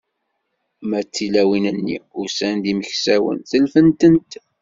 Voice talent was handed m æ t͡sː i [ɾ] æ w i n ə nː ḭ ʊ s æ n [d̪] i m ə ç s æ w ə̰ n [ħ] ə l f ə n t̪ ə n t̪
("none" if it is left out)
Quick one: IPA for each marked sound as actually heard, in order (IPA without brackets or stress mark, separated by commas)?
l, d̪, θ